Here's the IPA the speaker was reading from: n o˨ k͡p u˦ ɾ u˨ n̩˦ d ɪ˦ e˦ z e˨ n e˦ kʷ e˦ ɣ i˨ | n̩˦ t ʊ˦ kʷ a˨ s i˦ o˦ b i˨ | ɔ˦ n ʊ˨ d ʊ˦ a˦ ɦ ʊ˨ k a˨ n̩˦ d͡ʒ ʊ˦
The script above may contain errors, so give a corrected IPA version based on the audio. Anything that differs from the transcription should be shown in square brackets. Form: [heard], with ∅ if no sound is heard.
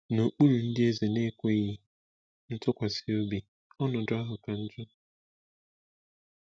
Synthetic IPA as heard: n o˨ k͡p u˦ ɾ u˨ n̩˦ d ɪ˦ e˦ z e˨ n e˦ kʷ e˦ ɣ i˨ | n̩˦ t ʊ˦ kʷ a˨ s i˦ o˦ b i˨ | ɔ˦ n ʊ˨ d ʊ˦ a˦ ɦ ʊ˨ k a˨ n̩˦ d͡ʒ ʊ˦